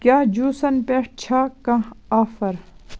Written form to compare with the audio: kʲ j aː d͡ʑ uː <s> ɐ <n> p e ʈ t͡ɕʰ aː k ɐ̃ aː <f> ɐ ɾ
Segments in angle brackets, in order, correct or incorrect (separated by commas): correct, correct, correct